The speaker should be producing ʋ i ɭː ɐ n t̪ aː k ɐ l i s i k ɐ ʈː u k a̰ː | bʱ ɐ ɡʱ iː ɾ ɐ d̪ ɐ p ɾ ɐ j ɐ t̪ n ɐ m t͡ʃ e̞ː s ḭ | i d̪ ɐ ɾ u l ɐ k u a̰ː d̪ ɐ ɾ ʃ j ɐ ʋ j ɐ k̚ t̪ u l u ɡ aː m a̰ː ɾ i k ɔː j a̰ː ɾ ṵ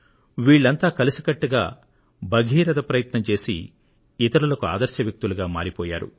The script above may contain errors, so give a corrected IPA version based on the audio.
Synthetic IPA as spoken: ʋ iː ɭː ɐ n t̪ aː k ɐ l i s i k ɐ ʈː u ɡ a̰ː | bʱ ɐ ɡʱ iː ɾ ɐ d̪ ɐ p ɾ ɐ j ɐ t̪ n ɐ m t͡ʃ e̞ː s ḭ | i t̪ ɐ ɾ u l ɐ k u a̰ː d̪ ɐ ɾ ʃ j ɐ ʋ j ɐ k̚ t̪ u l u ɡ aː m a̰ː ɾ i p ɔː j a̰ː ɾ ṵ

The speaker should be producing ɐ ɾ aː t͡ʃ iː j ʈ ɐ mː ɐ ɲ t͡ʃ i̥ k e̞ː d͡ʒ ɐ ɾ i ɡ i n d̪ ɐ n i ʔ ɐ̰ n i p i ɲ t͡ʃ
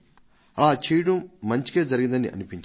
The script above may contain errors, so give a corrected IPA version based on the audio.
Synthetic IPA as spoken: ɐ l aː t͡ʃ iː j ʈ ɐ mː ɐ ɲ t͡ʃ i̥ k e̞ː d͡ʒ ɐ ɾ i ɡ i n d̪ ɐ n i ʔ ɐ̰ n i p i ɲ t͡ʃ

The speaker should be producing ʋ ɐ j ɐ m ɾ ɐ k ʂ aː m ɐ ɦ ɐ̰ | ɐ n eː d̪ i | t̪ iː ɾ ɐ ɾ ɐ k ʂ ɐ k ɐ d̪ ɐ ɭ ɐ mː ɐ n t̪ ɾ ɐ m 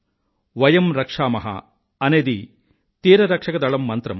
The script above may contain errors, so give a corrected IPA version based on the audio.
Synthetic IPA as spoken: ʋ ɐ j ɐ m ɾ ɐ k ʂ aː m ɐ ɦ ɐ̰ | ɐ n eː d̪ i | t̪ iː ɾ ɐ ɾ ɐ k ʂ ɐ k ɐ d̪ ɐ ɭ ɐ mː ɐ n t̪ ɾ ɐ m

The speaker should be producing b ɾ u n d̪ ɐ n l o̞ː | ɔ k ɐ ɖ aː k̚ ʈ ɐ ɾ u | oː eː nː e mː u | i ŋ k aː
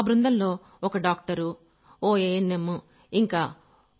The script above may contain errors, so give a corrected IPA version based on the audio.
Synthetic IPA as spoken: b ɾ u n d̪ ɐ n l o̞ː | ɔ k ɐ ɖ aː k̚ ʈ ɐ ɾ u | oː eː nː e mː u | i ŋ k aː

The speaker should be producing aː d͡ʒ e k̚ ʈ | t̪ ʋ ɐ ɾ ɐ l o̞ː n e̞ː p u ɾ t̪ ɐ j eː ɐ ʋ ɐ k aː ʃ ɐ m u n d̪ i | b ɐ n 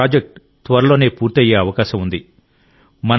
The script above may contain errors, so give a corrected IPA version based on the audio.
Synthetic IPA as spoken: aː d͡ʒ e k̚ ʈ | t̪ ʋ ɐ ɾ ɐ l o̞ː n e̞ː p uː ɾ t̪ ɐ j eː ɐ ʋ ɐ k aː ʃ ɐ m u n d̪ i | m ɐ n

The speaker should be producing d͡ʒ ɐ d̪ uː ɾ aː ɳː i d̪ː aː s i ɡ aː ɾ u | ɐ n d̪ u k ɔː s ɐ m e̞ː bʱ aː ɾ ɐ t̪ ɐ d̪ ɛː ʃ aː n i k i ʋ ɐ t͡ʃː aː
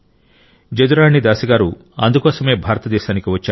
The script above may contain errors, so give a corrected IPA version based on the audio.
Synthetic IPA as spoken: d͡ʒ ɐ d̪ u ɾ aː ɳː i d̪ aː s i ɡ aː ɾ u | ɐ n d̪ u k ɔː s ɐ m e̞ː bʱ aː ɾ ɐ t̪ ɐ d̪ ɛː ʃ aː n i k i ʋ ɐ t͡ʃː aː

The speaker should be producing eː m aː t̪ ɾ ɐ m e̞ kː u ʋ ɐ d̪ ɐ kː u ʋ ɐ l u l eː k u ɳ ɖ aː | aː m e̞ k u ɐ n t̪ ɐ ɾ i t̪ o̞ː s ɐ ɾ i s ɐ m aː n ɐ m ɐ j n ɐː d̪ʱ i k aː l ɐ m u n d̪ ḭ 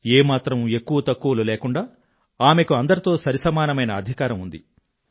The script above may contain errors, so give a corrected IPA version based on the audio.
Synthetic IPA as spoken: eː m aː t̪ ɾ ɐ m e̞ kː u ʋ ɐ t̪ ɐ kː u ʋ ɐ l u l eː k u ɳ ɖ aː | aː m e̞ k u ɐ n d̪ ɐ ɾ i t̪ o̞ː s ɐ ɾ i s ɐ m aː n ɐ m ɐ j n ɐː d̪ʱ i k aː ɾ ɐ m u n d̪ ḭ

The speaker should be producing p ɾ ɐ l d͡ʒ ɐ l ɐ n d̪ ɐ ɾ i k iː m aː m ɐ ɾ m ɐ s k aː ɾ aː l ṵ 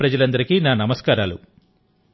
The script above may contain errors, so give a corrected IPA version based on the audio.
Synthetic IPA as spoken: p ɾ ɐ d͡ʒ ɐ l ɐ n d̪ ɐ ɾ i k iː n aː n ɐ m ɐ s k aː ɾ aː l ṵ

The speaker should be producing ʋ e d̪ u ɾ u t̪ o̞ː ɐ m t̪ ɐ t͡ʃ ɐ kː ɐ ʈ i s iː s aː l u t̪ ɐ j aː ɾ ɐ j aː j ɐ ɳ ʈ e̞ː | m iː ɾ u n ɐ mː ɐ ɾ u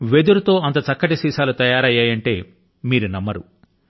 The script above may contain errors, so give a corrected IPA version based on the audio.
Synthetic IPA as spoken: ʋ e d̪ u ɾ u t̪ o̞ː ɐ n t̪ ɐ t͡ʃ ɐ kː ɐ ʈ i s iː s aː l u t̪ ɐ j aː ɾ ɐ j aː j ɐ ɳ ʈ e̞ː | m iː ɾ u n ɐ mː ɐ ɾ u

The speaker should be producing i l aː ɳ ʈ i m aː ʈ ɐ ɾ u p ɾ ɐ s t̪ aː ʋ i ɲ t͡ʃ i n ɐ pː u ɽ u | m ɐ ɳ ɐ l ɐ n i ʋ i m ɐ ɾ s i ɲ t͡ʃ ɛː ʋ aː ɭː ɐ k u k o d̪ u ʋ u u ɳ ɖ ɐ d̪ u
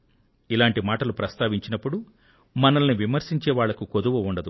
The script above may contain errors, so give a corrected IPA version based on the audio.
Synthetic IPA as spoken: i l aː ɳ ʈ i m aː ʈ ɐ l u p ɾ ɐ s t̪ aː ʋ i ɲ t͡ʃ i n ɐ pː u ɽ u | m ɐ n ɐ l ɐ n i ʋ i m ɐ ɾ s i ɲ t͡ʃ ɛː ʋ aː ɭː ɐ k u k o d̪ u ʋ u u ɳ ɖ ɐ d̪ u

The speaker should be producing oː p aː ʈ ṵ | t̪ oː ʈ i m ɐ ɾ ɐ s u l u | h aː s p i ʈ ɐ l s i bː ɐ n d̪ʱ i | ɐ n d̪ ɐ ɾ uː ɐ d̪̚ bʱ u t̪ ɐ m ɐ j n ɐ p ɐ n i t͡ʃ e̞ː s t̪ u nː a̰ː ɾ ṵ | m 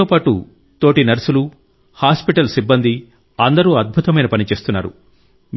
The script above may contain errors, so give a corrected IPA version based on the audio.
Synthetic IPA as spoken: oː p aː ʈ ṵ | t̪ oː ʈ i n ɐ ɾ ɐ s u l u | h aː s p i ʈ ɐ l s i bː ɐ n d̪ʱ i | ɐ n d̪ ɐ ɾ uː ɐ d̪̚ bʱ u t̪ ɐ m ɐ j n ɐ p ɐ n i t͡ʃ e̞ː s t̪ u nː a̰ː ɾ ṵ | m

